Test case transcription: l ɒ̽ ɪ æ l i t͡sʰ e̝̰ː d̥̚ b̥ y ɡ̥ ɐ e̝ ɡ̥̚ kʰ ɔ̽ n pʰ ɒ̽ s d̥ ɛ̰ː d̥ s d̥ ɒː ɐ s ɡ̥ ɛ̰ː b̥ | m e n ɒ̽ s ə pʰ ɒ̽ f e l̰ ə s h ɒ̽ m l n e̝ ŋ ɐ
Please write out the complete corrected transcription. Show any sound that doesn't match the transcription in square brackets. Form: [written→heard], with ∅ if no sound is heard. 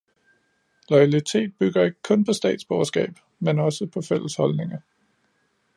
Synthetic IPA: l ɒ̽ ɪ æ l i t͡sʰ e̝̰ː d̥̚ b̥ y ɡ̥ ɐ e̝ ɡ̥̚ kʰ ɔ̽ n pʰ ɒ̽ s d̥ ɛ̰ː d̥ s [d̥→b̥] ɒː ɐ s ɡ̥ ɛ̰ː b̥ | m e n ɒ̽ s ə pʰ ɒ̽ f e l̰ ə s h ɒ̽ [m→∅] l n e̝ ŋ ɐ